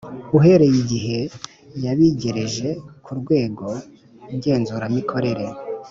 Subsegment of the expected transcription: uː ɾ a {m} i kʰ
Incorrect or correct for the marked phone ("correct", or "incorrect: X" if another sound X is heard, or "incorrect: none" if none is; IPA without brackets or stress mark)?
correct